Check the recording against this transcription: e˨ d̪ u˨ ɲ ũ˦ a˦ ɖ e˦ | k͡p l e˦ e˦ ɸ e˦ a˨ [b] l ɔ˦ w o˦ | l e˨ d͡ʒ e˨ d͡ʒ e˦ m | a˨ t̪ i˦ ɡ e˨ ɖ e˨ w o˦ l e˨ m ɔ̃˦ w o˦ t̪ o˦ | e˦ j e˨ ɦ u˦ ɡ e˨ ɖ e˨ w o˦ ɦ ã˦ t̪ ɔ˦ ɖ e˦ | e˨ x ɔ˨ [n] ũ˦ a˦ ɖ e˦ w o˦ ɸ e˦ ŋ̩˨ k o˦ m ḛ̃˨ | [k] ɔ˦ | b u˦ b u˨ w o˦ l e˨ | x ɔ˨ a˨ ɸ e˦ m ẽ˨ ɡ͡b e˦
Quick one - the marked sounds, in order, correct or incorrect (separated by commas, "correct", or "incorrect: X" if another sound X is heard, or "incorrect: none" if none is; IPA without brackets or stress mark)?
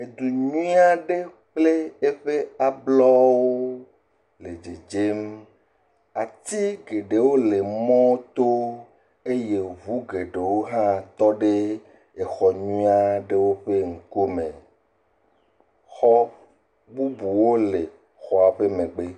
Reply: correct, incorrect: ɲ, incorrect: x